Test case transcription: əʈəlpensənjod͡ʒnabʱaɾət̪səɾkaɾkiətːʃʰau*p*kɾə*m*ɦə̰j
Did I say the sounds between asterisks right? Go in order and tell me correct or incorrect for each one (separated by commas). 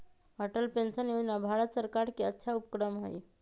correct, correct